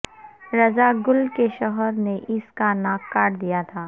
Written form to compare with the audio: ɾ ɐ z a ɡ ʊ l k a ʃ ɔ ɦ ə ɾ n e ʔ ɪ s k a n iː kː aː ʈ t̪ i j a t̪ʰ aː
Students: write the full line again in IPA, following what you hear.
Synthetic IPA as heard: ɾ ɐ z a ɡ ʊ l k e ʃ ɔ ɦ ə ɾ n e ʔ ɪ s k a n aː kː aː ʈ d̪ i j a t̪ʰ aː